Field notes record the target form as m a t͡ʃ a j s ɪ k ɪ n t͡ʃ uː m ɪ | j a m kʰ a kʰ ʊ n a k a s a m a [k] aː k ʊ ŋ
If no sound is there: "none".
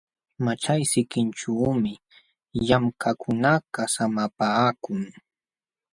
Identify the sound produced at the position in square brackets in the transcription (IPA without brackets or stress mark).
p